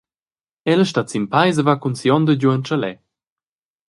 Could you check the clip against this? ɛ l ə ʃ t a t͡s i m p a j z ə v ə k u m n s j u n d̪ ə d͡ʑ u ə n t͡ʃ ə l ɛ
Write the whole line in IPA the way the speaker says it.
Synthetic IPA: ɛ l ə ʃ t a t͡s i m p a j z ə v a k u n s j ɔ n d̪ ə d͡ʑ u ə n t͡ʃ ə l ɛ